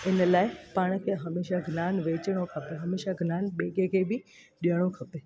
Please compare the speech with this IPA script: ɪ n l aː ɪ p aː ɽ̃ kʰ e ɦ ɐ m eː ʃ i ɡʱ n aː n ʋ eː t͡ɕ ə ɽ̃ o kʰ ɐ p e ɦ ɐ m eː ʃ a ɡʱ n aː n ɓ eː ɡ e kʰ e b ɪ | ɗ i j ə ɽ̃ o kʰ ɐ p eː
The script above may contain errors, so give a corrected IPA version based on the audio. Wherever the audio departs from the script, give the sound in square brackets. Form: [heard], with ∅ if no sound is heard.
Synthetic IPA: ɪ n l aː ɪ p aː ɽ̃ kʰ e ɦ ɐ m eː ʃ [a] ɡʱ n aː n ʋ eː t͡ɕ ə ɽ̃ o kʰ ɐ p e ɦ ɐ m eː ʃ a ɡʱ n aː n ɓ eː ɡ e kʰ e b ɪ | ɗ i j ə ɽ̃ o kʰ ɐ p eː